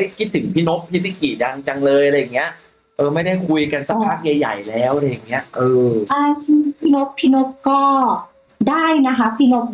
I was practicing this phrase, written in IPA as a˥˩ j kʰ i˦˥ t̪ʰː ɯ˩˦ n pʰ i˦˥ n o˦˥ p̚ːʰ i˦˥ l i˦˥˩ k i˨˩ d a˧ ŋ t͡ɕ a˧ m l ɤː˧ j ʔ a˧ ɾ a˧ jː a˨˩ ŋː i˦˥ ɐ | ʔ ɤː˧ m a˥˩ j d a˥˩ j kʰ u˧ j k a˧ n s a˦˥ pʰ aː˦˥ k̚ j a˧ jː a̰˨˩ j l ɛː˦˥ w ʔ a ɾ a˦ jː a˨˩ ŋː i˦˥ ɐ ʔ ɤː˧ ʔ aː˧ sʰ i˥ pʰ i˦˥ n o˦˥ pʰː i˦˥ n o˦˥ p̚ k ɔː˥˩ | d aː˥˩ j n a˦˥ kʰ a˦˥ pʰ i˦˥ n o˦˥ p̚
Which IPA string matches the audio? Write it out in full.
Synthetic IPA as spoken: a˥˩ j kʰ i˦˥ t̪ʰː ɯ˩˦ ŋ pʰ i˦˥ n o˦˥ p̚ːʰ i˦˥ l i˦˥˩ k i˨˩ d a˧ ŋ t͡ɕ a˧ ŋ l ɤː˧ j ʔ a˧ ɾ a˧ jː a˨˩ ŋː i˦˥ ɐ | ʔ ɤː˧ m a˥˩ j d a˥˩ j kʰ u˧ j k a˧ n s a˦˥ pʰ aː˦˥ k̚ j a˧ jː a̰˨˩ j l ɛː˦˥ w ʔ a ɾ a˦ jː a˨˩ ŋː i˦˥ ɐ ʔ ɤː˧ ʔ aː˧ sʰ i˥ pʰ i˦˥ n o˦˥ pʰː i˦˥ n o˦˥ p̚ k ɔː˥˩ | d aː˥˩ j n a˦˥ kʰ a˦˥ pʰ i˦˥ n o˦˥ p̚